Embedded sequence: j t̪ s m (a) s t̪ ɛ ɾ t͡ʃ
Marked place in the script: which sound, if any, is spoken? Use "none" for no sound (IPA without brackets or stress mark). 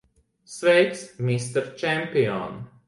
i